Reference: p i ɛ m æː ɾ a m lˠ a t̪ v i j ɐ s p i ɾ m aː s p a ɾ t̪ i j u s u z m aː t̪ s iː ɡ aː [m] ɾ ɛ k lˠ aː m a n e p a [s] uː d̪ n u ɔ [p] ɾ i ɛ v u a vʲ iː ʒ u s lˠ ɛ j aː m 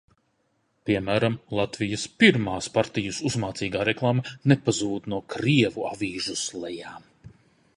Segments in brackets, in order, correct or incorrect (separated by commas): incorrect, incorrect, incorrect